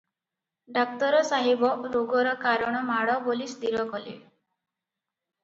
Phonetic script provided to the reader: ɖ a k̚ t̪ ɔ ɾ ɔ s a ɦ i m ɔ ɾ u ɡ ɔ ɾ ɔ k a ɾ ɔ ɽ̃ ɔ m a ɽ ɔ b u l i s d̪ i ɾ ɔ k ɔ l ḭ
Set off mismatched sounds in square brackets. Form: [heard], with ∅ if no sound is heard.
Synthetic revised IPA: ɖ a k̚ t̪ ɔ ɾ ɔ s a ɦ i [b] ɔ ɾ [o] ɡ ɔ ɾ ɔ k a ɾ ɔ ɽ̃ ɔ m a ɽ ɔ b [o] l i s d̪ i ɾ ɔ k ɔ l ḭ